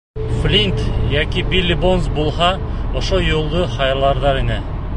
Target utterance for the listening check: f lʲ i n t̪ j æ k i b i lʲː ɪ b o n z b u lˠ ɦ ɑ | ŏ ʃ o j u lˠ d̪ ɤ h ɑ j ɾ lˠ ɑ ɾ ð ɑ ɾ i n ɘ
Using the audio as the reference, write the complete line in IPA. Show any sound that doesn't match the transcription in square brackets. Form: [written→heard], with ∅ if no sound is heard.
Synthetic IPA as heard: f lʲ i n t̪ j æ k i b i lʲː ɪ b o n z b u lˠ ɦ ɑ | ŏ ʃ o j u lˠ d̪ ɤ [h→χ] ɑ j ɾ lˠ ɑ ɾ ð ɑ ɾ i n ɘ